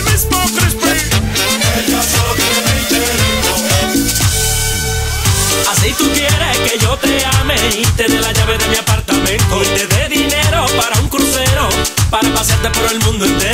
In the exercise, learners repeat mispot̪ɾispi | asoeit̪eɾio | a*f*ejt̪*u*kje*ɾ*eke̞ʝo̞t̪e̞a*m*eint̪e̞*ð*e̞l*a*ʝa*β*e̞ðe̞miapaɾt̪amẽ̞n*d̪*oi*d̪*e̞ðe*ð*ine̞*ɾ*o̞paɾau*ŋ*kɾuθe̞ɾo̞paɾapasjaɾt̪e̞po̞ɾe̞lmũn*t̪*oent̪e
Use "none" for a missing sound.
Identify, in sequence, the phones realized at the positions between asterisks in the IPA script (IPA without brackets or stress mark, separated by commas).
s, u, ɾ, m, ð, a, β, t̪, t̪, ð, ɾ, ŋ, d̪